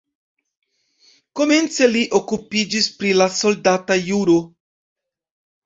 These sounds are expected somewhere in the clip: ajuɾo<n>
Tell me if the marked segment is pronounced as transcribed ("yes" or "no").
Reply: no